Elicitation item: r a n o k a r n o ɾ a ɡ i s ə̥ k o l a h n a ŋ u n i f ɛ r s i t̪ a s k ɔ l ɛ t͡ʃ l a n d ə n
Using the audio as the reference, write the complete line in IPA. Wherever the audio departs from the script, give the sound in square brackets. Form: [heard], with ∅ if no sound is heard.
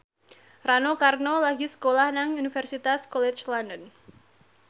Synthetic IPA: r a n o k a r n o [l] a ɡ i s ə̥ k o l a h n a ŋ u n i f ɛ r s i t̪ a s k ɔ l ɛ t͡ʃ l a n d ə n